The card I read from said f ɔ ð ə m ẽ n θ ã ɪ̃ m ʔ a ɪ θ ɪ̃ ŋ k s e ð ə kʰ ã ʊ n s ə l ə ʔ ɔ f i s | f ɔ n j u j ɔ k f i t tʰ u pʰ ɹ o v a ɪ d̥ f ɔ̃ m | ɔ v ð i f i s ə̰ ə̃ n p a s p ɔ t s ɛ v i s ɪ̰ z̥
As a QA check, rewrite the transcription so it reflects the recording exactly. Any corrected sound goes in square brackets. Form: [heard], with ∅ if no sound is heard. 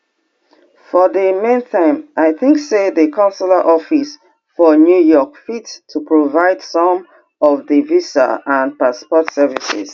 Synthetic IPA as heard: f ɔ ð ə m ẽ n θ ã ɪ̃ m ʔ a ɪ θ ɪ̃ ŋ k s e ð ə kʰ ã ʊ n s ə l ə ʔ ɔ f i s | f ɔ n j u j ɔ k f i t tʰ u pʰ ɹ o v a ɪ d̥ [s] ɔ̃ m | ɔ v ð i [v] i s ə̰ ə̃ n p a s p ɔ t s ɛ v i s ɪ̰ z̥